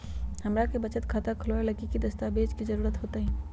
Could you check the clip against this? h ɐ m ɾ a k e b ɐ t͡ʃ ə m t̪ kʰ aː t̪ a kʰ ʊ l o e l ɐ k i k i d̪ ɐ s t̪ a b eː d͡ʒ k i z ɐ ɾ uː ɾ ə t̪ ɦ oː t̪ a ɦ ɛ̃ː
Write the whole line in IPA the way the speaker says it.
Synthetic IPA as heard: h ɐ m ɾ a k e b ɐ t͡ʃ ə t̪ kʰ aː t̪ a kʰ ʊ l o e l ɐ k i k i d̪ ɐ s t̪ a b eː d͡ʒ k i z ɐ ɾ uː ɾ ə t̪ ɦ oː t̪ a ɦ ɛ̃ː